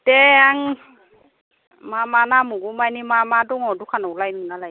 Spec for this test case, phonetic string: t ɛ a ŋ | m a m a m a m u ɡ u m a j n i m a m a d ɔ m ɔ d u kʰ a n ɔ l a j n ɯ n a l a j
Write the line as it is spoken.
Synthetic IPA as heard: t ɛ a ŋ | m a m a n a m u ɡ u m a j n i m a m a d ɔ ŋ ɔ d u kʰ a n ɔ l a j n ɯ n a l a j